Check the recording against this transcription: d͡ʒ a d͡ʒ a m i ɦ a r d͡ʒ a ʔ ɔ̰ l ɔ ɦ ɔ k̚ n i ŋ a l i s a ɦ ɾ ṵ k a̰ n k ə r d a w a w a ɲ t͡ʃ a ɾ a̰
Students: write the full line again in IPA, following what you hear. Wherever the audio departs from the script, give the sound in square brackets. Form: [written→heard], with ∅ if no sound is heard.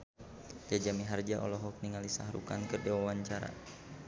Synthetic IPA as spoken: d͡ʒ a d͡ʒ a m i ɦ a r d͡ʒ a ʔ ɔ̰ l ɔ ɦ ɔ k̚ n i ŋ a l i s a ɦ ɾ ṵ k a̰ n k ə r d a w a w a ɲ t͡ʃ a ɾ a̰